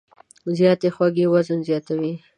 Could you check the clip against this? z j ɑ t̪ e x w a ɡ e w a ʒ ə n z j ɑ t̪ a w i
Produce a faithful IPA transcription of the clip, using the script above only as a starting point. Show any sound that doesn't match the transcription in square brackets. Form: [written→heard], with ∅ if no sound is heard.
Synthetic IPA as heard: z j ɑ t̪ e x w a ɡ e w a [ʒ→z] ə n z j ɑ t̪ a w i

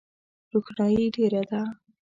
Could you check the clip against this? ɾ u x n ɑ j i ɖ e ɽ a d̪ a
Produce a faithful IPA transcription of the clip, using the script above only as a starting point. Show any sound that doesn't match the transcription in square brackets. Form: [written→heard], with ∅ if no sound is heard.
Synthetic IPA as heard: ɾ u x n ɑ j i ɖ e [ɽ→ɾ] a d̪ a

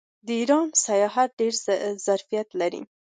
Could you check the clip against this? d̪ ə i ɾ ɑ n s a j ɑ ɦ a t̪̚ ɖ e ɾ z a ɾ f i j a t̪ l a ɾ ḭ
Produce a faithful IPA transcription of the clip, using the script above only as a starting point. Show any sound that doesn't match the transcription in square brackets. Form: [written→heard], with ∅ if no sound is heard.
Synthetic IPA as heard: d̪ ə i ɾ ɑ n s a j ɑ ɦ a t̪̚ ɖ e ɾ z a ɾ f i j a t̪ l a ɾ ḭ

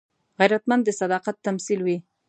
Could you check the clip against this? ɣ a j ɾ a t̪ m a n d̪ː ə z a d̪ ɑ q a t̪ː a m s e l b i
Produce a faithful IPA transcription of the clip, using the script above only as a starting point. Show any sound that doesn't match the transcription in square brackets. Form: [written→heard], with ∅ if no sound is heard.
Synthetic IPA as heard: ɣ a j ɾ a t̪ m a n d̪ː ə [z→s] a d̪ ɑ q a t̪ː a m s [e→i] l [b→w] i

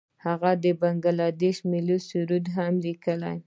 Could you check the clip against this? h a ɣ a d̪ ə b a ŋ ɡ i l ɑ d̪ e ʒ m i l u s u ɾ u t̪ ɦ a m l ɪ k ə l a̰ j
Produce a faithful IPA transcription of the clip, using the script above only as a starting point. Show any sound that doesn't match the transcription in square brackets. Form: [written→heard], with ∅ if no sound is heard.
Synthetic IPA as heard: h a ɣ a d̪ ə b a ŋ ɡ [i→a] l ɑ d̪ e [ʒ→ʃ] m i l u s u ɾ u [t̪→d̪] ɦ a m l [ɪ→i] k ə l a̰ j

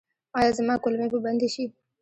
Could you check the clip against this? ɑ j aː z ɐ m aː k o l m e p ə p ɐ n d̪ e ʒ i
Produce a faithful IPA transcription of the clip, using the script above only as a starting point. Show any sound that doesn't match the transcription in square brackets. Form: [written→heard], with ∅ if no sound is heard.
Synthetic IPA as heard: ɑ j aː z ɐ m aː k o l m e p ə [p→b] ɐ n d̪ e [ʒ→ʃ] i

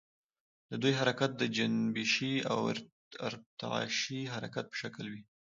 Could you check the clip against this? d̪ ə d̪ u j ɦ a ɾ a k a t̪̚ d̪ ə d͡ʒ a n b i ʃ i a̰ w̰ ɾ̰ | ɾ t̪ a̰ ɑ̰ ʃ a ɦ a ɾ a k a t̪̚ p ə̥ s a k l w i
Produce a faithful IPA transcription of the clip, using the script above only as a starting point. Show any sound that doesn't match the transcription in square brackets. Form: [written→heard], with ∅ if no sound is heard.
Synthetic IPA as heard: d̪ ə d̪ u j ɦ a ɾ a k a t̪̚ d̪ ə d͡ʒ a n b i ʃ i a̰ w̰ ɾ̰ | ɾ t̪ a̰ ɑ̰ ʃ [a→i] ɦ a ɾ a k a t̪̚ p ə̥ [s→ʃ] a k l w i

